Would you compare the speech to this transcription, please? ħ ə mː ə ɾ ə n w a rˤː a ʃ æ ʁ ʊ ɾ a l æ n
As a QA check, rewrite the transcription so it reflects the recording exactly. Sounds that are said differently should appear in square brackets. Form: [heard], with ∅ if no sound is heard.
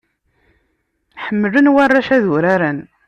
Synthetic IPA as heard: ħ ə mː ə [l] ə n w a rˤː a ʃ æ [ð] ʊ ɾ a [ɾ] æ n